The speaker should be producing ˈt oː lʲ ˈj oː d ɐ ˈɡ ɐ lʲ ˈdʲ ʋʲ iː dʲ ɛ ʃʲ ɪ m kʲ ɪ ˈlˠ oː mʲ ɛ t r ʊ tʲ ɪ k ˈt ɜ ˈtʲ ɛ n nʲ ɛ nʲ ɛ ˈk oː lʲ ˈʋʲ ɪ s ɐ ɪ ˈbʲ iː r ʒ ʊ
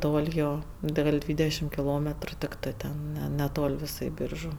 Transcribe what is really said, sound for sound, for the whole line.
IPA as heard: ˈt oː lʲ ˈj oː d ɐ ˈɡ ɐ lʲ ˈdʲ ʋʲ iː dʲ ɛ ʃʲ ɪ m kʲ ɪ ˈlˠ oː mʲ ɛ t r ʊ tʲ ɪ k ˈt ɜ ˈtʲ ɛ n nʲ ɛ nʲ ɛ ˈt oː lʲ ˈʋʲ ɪ s ɐ ɪ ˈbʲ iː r ʒ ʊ